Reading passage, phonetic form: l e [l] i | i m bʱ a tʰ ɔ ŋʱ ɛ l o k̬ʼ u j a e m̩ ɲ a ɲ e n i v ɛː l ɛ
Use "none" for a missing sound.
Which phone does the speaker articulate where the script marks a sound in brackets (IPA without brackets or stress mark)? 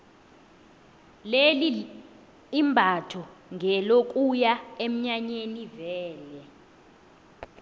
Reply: l